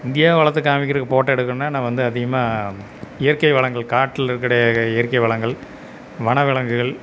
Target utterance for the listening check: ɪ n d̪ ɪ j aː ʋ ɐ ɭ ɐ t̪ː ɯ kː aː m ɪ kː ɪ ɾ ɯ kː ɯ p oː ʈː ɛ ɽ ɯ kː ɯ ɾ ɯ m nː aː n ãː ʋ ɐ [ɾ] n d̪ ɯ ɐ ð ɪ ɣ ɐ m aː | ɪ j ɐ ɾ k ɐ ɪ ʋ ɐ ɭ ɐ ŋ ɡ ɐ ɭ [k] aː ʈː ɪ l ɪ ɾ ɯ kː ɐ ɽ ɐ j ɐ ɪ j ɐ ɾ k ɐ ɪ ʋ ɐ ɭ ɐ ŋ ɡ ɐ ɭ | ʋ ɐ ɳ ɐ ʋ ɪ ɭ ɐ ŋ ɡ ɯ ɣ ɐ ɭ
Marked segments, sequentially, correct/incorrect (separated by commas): incorrect, correct